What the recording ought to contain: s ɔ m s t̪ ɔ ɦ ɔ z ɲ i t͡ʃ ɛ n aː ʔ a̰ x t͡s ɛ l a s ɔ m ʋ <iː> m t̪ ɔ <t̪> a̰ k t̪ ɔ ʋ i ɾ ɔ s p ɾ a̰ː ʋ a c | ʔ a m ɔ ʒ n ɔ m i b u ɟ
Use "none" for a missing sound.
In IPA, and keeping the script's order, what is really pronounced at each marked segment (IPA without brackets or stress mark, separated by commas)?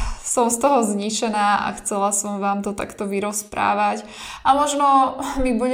aː, t̪